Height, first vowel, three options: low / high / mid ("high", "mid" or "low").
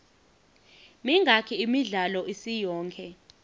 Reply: high